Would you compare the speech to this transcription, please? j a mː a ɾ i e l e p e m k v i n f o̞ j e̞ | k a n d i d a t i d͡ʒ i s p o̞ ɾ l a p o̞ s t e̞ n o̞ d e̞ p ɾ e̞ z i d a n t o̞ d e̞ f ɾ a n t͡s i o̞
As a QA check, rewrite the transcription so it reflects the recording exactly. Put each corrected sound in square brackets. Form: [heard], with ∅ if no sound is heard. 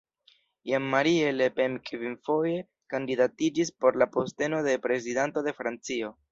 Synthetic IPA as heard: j a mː a ɾ i e l e p e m k v i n f o̞ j e̞ | k a n d i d a t i d͡ʒ i s p o̞ ɾ l a p o̞ s t e̞ n o̞ d e̞ p ɾ e̞ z i d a n t o̞ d e̞ f ɾ a n t͡s i o̞